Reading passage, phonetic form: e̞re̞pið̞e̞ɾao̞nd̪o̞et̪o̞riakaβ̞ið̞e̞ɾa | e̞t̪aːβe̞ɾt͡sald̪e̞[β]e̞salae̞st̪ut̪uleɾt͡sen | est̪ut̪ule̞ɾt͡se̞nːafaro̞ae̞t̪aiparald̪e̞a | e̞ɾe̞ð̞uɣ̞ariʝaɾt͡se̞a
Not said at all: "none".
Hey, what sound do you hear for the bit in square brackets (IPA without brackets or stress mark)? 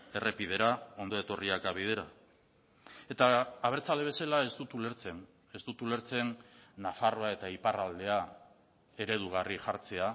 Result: β